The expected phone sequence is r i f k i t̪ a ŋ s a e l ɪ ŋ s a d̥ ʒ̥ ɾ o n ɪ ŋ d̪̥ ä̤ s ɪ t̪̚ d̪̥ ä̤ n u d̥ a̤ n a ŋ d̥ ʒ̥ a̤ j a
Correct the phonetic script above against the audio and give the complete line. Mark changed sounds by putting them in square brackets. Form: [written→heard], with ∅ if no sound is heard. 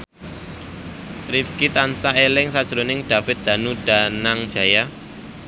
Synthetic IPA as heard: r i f k i t̪ a [ŋ→n] s a e l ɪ ŋ s a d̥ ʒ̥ ɾ o n ɪ ŋ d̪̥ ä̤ [s→f] ɪ t̪̚ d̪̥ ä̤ n u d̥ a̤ n a ŋ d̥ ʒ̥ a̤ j a